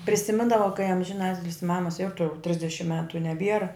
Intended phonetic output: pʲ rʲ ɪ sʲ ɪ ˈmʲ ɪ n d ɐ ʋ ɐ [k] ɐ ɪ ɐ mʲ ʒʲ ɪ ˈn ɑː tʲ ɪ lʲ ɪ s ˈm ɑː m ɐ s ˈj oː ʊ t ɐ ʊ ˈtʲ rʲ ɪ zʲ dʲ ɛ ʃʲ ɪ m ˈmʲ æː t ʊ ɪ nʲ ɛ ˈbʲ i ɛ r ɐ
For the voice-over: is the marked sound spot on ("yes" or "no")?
yes